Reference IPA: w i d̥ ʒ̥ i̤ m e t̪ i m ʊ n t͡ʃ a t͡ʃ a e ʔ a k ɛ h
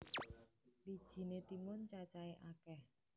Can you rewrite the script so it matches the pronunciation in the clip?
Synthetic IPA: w i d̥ ʒ̥ i̤ n e t̪ i m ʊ n t͡ʃ a t͡ʃ a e ʔ a k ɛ h